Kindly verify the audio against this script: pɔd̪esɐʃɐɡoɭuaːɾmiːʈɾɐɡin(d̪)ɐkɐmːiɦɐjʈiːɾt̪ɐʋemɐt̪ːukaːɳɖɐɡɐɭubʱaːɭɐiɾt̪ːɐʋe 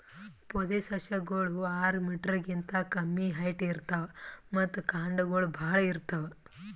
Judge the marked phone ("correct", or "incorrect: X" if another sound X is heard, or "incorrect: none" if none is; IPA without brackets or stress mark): incorrect: t̪